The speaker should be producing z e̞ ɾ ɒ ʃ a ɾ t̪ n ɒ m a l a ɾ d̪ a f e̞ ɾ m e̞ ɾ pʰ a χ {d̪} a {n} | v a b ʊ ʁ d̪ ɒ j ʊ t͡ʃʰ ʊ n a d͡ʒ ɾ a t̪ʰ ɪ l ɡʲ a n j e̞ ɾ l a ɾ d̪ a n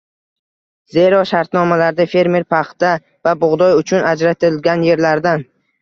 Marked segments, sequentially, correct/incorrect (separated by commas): incorrect, incorrect